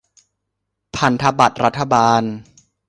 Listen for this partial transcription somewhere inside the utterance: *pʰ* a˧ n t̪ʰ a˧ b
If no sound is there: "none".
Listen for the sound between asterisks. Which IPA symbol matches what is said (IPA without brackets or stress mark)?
pʰ